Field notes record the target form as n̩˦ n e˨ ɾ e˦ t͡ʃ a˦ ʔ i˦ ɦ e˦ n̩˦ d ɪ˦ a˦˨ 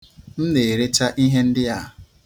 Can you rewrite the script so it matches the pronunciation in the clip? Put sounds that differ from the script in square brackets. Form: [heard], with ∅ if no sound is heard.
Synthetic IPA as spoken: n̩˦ n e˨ ɾ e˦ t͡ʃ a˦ ʔ i˦ ɦ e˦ n̩˦ d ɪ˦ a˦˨